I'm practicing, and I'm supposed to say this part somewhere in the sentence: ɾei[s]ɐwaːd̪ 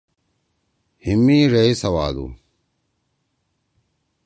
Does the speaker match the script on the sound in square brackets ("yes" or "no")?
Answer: yes